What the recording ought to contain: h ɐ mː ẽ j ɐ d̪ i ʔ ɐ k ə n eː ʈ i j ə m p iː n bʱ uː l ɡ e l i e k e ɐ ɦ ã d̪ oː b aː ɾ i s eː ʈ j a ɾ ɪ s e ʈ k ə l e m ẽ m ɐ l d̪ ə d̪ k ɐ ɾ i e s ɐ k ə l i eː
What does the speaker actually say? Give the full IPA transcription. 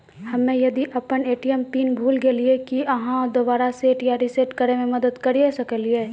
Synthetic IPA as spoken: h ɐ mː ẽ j ɐ d̪ i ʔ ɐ p ə n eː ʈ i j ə m p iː n bʱ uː l ɡ e l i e k i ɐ ɦ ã d̪ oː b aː ɾ a s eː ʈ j a ɾ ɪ s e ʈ k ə ɾ e m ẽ m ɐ d̪ ə d̪ k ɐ ɾ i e s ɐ k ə l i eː